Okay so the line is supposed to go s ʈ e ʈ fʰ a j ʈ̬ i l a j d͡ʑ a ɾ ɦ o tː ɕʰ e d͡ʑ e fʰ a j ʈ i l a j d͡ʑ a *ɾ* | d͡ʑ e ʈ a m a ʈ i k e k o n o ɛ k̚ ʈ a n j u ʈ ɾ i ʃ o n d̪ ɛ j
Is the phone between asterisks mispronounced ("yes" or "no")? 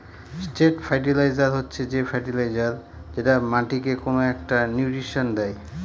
no